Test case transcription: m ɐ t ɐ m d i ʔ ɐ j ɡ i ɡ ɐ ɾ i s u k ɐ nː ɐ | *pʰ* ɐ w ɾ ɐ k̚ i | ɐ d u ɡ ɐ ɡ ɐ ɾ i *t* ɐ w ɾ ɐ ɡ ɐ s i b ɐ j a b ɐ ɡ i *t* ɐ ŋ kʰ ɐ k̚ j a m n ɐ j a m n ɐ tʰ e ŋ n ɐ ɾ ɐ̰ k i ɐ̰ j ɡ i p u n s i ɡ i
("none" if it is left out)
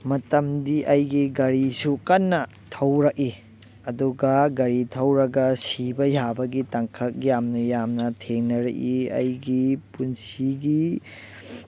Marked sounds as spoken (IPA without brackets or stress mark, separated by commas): tʰ, tʰ, t